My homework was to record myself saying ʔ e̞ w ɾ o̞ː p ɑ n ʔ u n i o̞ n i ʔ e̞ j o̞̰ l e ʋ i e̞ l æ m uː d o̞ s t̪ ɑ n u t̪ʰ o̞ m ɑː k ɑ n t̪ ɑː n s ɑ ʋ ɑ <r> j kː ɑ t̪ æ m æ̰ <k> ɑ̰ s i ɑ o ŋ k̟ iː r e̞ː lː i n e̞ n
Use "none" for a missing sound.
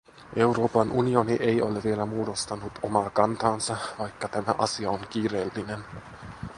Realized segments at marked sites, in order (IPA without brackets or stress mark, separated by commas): none, ʔ